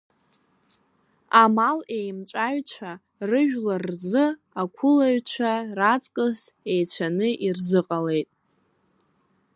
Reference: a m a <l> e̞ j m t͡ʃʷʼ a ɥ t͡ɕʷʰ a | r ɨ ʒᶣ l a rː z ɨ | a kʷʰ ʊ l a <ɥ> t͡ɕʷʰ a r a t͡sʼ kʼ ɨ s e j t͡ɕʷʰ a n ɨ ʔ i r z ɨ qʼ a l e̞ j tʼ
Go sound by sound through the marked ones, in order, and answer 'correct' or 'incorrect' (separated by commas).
correct, correct